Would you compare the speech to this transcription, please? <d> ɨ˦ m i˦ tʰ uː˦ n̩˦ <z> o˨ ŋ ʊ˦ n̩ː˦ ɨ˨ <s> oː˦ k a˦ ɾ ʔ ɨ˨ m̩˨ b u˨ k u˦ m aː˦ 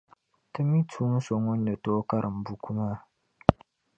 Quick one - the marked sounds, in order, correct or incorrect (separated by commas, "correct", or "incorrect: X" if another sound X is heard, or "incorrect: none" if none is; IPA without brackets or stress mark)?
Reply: incorrect: t, incorrect: s, incorrect: t